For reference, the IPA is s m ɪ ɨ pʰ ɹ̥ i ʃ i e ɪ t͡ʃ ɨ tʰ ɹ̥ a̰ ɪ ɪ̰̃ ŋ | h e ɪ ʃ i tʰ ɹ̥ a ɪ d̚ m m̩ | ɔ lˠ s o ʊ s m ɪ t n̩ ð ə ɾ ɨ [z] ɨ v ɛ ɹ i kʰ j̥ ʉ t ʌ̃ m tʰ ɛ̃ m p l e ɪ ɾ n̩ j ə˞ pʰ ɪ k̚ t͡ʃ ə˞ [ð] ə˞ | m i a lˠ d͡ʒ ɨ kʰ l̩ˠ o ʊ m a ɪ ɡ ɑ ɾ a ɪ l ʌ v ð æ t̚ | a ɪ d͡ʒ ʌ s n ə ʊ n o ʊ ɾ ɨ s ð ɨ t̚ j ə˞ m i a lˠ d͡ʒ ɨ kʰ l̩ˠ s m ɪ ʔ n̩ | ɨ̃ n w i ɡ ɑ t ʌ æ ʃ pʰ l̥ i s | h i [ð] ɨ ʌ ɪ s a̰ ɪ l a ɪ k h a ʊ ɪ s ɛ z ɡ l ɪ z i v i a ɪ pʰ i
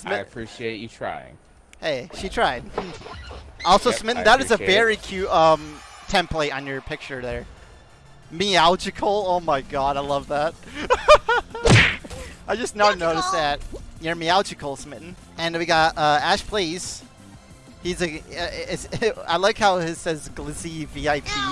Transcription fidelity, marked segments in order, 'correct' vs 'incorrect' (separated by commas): correct, correct, incorrect